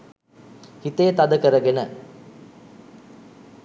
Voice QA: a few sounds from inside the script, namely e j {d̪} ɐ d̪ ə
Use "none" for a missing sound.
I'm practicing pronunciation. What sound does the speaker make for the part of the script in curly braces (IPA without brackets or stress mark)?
t̪